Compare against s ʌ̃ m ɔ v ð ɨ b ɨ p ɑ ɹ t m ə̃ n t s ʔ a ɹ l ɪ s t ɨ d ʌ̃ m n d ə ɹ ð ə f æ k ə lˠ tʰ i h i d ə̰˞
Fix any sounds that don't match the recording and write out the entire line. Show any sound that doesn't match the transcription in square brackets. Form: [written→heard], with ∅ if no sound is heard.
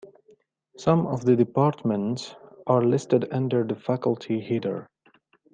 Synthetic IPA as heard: s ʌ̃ m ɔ v ð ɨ [b→d] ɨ p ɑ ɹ t m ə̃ n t s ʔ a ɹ l ɪ s t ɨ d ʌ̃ [m→∅] n d ə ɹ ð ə f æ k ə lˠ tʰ i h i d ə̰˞